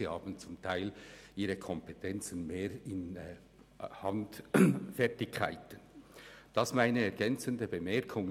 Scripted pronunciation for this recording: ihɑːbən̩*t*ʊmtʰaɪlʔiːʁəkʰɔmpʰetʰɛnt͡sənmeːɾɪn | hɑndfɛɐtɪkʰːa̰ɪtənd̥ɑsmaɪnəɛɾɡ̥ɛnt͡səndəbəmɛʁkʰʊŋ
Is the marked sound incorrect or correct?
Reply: incorrect